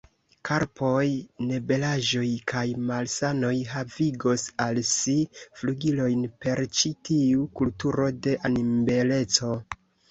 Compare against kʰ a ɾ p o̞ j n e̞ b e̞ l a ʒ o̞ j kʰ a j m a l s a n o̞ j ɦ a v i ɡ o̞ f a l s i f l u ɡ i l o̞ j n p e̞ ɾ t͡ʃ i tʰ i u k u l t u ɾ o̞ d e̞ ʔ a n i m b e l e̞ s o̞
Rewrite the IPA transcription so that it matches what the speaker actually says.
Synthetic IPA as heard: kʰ a ɾ p o̞ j n e̞ b e̞ l a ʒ o̞ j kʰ a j m a l s a n o̞ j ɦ a v i ɡ o̞ s a l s i f l u ɡ i l o̞ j n p e̞ ɾ t͡ʃ i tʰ i u k u l t u ɾ o̞ d e̞ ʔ a n i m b e l e̞ t͡s o̞